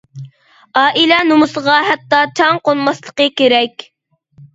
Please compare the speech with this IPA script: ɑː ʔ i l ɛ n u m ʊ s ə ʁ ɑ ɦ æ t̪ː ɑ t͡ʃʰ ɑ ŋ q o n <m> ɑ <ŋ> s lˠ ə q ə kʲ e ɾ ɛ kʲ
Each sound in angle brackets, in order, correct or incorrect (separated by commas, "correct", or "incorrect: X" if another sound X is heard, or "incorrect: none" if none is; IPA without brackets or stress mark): correct, incorrect: none